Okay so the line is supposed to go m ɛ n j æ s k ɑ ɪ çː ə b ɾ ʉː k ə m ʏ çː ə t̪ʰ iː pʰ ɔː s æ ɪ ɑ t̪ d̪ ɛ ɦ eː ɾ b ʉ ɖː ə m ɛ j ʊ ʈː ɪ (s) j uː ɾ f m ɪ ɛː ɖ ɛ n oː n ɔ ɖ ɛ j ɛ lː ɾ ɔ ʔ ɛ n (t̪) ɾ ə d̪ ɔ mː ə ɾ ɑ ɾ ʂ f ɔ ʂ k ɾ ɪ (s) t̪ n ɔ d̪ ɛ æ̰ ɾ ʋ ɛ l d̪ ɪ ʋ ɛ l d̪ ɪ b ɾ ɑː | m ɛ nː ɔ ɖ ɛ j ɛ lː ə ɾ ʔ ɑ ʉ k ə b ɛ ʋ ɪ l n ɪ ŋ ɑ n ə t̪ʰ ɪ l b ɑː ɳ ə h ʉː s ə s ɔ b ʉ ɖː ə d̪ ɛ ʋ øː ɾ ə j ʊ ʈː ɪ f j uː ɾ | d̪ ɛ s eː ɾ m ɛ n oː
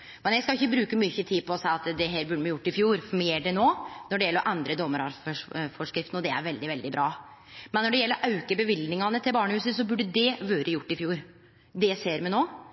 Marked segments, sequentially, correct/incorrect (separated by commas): incorrect, incorrect, incorrect